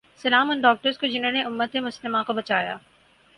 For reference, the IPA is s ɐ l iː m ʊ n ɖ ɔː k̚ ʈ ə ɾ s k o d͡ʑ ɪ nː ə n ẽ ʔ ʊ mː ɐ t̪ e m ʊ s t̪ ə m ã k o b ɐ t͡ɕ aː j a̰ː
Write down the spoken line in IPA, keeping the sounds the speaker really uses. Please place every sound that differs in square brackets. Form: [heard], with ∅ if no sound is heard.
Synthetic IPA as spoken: s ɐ l [aː] m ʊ n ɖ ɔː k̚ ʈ ə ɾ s k o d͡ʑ ɪ [n] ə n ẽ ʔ ʊ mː [ə] t̪ e m ʊ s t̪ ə m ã k o b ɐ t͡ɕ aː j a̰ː

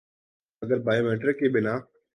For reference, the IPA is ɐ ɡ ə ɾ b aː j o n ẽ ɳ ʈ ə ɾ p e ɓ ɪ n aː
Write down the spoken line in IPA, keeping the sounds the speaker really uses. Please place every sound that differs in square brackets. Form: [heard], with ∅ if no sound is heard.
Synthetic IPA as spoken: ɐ ɡ ə ɾ b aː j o [m] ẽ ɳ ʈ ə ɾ [k] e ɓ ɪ n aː

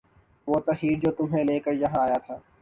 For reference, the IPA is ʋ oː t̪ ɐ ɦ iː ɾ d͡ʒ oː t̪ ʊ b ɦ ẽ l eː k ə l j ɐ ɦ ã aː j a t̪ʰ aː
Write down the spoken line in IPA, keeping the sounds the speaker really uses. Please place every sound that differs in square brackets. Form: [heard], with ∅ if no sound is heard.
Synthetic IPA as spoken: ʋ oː t̪ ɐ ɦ iː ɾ d͡ʒ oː t̪ ʊ [m] ɦ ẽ l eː k ə [ɾ] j ɐ ɦ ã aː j a t̪ʰ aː

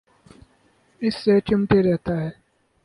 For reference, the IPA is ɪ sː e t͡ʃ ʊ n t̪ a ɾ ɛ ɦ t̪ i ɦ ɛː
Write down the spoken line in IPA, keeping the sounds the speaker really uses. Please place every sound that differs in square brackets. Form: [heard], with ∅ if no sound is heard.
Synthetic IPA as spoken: ɪ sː e t͡ʃ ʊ [m] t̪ [e] ɾ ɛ ɦ t̪ [a] ɦ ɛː

